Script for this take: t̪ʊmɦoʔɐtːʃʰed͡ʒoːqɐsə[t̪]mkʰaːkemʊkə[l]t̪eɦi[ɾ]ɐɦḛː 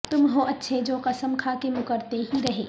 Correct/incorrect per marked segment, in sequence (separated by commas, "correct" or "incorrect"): incorrect, incorrect, correct